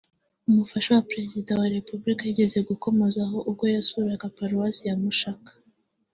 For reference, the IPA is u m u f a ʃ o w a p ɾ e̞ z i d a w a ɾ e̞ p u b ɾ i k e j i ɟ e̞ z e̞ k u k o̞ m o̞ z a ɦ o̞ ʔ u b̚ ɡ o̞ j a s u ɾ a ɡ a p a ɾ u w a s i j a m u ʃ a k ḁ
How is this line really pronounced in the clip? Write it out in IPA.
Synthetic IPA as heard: u m u f a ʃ o w a p ɾ e̞ z i d a w a ɾ e̞ p u b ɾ i k a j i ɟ e̞ z e̞ ɡ u k o̞ m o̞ z a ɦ o̞ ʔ u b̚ ɡ o̞ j a s u ɾ a ɡ a p a ɾ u w a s i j a m u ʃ a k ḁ